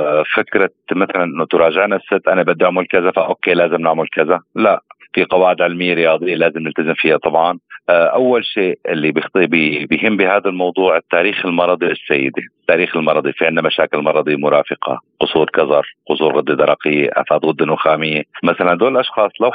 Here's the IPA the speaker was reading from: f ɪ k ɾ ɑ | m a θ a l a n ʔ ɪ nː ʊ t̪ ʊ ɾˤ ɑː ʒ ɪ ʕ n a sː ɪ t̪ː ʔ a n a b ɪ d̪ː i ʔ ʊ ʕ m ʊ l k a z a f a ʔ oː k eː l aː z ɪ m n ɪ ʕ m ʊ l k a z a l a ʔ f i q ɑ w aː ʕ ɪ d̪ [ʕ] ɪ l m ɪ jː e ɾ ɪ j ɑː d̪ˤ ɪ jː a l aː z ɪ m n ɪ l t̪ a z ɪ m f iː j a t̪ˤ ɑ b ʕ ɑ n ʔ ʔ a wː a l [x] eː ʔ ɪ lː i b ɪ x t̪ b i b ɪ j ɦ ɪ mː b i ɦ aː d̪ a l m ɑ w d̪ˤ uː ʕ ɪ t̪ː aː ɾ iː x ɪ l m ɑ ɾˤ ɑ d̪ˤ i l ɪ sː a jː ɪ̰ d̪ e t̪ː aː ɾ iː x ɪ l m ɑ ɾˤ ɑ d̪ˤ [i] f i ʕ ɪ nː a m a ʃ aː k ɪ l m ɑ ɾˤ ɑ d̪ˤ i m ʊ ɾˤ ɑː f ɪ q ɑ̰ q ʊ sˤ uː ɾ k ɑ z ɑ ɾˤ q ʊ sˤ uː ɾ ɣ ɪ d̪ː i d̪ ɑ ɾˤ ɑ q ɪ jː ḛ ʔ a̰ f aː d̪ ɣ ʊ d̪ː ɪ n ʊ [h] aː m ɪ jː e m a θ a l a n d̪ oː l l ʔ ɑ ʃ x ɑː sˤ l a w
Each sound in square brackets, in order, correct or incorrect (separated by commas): correct, incorrect, correct, incorrect